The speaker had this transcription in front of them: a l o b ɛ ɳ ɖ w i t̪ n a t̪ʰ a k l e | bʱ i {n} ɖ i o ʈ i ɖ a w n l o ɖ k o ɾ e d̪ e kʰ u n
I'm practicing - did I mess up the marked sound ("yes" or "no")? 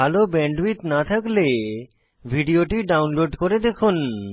yes